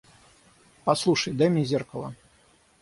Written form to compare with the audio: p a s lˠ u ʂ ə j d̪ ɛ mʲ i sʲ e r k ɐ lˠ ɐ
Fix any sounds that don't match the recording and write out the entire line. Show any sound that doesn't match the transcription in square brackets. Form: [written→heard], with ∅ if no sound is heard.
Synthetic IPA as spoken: p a s lˠ u ʂ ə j d̪ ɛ mʲ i [sʲ→zʲ] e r k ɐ lˠ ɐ